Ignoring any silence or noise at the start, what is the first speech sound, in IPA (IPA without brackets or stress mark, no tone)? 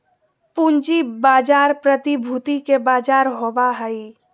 p